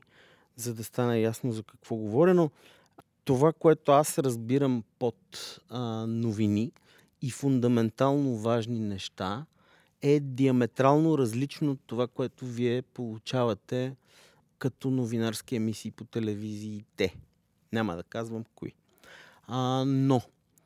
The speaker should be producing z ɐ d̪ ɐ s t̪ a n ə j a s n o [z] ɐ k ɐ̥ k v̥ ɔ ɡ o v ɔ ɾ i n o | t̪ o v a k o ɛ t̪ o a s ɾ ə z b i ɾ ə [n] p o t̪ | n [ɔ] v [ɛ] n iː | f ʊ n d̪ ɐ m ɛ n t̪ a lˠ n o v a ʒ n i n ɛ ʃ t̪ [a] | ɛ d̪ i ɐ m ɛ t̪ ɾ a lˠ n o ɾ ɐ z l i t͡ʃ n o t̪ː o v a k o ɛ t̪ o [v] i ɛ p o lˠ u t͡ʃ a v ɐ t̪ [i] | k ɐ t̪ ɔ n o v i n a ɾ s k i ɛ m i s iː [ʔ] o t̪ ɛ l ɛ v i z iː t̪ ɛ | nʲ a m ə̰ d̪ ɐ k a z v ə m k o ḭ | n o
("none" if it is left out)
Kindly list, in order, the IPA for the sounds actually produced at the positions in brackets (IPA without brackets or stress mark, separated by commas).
z, m, o, i, a, v, ɛ, p